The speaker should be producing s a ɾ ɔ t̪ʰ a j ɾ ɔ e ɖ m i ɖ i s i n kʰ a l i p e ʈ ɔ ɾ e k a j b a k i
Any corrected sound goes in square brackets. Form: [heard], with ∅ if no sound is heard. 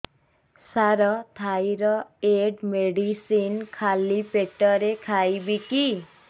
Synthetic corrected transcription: s a ɾ ɔ t̪ʰ a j ɾ ɔ e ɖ m [e] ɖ i s i n kʰ a l i p e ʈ ɔ ɾ e [kʰ] a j b [i] k i